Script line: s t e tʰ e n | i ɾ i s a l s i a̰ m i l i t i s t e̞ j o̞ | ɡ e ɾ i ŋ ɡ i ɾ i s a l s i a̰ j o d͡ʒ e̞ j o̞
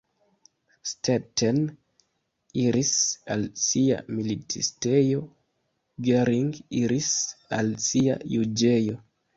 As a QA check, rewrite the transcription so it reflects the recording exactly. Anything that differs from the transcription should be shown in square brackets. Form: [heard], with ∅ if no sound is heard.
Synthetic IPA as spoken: s t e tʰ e n | i ɾ i s a l s i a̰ m i l i t i s t e̞ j o̞ | ɡ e ɾ i ŋ ɡ i ɾ i s a l s i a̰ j [u] d͡ʒ e̞ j o̞